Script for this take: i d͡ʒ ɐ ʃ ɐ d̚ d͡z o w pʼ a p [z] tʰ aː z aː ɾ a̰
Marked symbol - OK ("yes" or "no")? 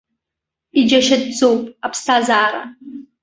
no